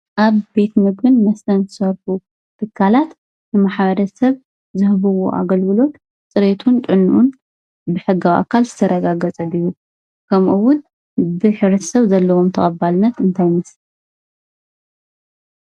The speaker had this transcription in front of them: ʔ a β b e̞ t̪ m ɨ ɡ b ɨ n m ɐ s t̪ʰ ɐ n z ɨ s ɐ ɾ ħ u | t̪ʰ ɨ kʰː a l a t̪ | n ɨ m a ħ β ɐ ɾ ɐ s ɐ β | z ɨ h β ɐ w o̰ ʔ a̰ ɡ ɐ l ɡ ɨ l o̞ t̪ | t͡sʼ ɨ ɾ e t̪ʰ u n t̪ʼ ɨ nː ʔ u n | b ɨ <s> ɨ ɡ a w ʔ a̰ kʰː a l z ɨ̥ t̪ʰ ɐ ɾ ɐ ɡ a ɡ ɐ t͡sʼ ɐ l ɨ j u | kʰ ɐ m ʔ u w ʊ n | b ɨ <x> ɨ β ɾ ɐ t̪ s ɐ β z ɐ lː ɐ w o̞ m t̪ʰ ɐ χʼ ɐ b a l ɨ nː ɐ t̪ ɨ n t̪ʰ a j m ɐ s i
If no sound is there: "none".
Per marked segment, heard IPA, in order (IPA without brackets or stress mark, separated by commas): ħ, ħ